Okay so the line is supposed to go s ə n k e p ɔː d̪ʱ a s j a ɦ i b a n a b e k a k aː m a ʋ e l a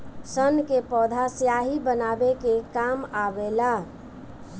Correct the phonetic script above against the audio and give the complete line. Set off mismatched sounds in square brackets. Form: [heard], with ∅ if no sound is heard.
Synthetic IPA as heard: s ə n k e p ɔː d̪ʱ a s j a ɦ i b [ə] n a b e k [e] k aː m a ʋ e l a